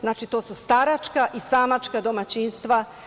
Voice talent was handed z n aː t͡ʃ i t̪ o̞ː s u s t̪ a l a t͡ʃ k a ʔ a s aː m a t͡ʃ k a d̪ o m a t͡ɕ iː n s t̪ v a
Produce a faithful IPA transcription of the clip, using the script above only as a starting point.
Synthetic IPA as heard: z n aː t͡ʃ i t̪ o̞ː s u s t̪ a ɾ a t͡ʃ k a ʔ i s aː m a t͡ʃ k a d̪ o m a t͡ɕ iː n s t̪ ʋ a